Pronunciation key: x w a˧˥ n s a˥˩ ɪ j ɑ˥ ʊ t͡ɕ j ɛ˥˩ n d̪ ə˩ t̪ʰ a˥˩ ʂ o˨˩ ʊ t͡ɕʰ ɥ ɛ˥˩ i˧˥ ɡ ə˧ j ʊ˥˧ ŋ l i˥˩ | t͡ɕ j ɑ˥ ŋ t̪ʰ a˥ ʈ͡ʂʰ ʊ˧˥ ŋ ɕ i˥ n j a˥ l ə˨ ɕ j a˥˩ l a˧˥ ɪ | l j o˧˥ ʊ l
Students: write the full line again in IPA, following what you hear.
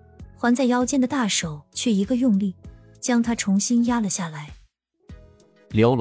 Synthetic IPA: x w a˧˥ n t͡s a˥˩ ɪ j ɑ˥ ʊ t͡ɕ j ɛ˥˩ n d̪ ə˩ t̪ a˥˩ ʂ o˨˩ ʊ t͡ɕʰ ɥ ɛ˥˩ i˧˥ ɡ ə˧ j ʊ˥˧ ŋ l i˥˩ | t͡ɕ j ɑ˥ ŋ t̪ʰ a˥ ʈ͡ʂʰ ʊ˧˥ ŋ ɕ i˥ n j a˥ l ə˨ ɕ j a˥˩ l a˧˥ ɪ | l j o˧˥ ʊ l